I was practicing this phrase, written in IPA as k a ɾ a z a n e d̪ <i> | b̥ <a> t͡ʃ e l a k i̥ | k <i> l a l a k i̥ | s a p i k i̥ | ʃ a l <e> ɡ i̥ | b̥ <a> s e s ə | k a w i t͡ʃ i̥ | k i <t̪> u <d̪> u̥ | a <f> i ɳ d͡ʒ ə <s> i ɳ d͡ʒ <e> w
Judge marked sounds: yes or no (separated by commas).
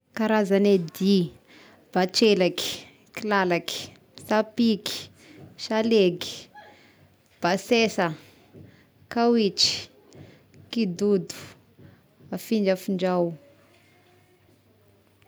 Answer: yes, yes, yes, yes, yes, no, yes, yes, no, no